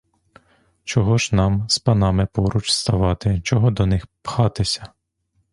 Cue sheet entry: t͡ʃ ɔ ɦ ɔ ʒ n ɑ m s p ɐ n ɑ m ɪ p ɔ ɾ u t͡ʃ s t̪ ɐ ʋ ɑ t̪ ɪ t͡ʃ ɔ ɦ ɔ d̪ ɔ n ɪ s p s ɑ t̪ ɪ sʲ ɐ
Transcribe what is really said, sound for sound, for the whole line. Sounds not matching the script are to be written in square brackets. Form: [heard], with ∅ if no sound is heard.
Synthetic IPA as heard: t͡ʃ ɔ ɦ ɔ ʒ n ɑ m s p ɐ n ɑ m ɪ p ɔ ɾ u t͡ʃ s t̪ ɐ ʋ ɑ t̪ ɪ t͡ʃ ɔ ɦ ɔ d̪ ɔ n ɪ [x] p [x] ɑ t̪ ɪ sʲ ɐ